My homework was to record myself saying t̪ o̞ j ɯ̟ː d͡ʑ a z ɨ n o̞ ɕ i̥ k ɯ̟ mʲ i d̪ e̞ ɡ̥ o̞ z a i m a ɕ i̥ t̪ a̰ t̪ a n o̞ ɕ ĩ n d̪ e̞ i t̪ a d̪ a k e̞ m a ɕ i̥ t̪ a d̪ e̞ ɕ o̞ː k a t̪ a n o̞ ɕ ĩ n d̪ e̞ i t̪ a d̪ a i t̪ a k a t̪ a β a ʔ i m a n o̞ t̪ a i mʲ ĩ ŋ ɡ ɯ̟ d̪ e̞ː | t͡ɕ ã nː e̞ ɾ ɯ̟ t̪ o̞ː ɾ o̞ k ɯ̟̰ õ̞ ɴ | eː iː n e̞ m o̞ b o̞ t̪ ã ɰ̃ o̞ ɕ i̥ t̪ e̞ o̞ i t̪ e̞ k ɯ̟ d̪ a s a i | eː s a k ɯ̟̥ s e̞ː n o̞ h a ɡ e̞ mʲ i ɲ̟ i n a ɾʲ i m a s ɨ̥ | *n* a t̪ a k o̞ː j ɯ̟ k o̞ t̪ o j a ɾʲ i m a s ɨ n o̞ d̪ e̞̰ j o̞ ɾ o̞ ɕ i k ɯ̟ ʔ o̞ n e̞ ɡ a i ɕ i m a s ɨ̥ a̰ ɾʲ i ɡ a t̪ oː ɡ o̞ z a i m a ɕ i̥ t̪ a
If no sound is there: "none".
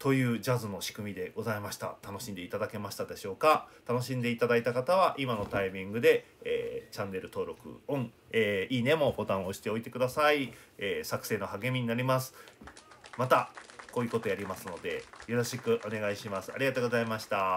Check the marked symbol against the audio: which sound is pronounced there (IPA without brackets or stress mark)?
m